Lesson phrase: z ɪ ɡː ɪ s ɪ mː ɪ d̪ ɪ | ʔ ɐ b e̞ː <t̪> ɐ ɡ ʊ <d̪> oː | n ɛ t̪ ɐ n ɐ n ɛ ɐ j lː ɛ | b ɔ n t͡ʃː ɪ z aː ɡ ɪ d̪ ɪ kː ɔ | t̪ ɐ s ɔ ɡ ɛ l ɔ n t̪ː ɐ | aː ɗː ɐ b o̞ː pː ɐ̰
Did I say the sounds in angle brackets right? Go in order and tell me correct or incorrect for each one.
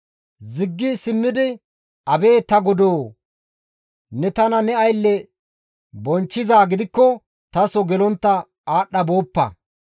correct, correct

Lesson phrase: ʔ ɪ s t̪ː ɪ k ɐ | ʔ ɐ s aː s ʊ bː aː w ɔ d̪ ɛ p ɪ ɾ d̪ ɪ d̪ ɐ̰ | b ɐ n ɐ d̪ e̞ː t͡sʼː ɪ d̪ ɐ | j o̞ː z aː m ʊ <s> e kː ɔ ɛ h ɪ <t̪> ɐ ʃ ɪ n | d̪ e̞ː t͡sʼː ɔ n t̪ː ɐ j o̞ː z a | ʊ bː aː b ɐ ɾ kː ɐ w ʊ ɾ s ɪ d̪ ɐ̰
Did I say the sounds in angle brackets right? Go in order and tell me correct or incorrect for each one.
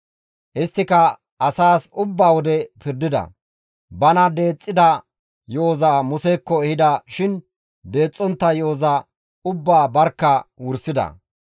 correct, incorrect

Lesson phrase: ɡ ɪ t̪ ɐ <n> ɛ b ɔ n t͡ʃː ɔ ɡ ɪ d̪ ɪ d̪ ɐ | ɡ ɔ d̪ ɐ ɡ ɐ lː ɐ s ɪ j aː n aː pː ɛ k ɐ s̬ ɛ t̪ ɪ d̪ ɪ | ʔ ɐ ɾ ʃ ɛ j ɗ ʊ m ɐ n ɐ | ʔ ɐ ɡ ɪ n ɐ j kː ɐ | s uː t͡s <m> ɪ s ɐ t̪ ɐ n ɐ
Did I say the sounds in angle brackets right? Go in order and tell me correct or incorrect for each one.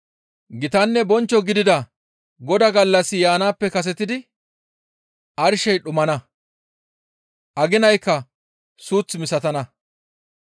incorrect, correct

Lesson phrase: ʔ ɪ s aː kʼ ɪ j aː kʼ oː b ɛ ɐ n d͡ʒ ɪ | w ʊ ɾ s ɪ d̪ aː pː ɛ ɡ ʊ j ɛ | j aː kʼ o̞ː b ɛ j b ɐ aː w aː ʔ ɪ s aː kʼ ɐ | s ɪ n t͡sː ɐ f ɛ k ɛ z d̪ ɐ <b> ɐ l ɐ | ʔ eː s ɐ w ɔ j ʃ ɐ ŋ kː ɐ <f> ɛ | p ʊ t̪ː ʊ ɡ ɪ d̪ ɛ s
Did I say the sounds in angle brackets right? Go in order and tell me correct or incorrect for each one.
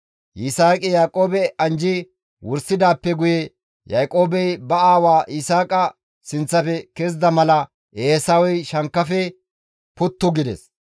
incorrect, correct

